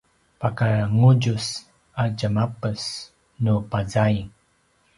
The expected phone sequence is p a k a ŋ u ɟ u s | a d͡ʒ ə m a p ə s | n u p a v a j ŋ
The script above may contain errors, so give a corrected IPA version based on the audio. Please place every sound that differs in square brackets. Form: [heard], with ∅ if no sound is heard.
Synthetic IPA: p a k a ŋ u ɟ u s | a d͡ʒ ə m a p ə s | n u p a [z] a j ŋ